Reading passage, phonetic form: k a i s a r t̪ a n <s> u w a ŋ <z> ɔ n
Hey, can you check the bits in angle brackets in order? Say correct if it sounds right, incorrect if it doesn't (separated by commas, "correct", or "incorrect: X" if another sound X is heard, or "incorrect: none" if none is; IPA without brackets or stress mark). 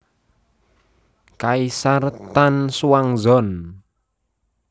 correct, correct